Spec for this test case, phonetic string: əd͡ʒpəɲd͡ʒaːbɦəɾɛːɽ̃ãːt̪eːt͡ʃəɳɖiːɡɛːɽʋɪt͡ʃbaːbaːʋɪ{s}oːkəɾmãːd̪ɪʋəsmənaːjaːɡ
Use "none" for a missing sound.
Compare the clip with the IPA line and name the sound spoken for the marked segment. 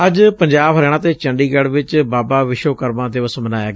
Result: ʃ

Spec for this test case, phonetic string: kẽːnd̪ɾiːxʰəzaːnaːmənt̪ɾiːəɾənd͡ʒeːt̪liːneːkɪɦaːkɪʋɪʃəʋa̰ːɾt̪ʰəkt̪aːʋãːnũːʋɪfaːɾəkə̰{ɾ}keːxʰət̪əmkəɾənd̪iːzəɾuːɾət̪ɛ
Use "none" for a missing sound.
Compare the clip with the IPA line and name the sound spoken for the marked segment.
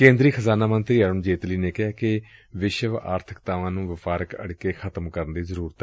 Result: ɽ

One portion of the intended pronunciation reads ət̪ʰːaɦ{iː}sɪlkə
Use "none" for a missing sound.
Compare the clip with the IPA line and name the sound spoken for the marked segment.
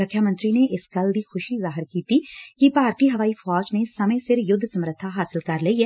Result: aː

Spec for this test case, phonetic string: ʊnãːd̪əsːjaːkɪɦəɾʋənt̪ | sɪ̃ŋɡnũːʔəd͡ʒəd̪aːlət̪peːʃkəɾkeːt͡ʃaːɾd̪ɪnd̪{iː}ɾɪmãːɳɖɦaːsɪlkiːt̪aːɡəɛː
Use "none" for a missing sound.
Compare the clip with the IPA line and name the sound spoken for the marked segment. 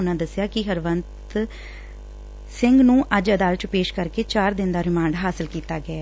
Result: aː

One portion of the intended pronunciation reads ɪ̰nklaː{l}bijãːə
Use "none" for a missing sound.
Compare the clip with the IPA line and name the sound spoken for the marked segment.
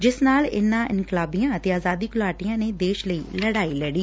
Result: none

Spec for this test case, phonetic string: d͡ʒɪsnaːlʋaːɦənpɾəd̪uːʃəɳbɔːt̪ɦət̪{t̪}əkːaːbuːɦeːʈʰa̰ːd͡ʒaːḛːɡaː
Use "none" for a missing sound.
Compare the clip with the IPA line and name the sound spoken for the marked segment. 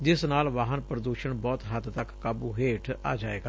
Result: t̪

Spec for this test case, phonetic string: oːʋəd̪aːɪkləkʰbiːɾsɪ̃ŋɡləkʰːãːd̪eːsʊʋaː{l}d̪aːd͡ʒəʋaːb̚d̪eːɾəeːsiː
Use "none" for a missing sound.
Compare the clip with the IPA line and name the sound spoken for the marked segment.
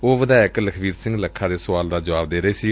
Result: l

